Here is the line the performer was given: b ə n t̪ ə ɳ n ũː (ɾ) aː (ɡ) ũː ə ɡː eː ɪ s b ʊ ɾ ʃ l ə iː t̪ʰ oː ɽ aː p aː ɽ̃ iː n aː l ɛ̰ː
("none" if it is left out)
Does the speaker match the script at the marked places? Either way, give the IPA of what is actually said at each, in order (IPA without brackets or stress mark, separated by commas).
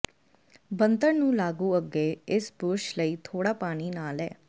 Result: l, ɡ